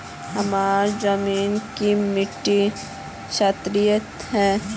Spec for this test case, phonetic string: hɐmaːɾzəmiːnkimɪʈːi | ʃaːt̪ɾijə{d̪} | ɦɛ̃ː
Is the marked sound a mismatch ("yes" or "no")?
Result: yes